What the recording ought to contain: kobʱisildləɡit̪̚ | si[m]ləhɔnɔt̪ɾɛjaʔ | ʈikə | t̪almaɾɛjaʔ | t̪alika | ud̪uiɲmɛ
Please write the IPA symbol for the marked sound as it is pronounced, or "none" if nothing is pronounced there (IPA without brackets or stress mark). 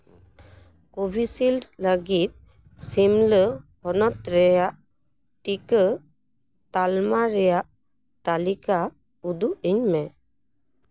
m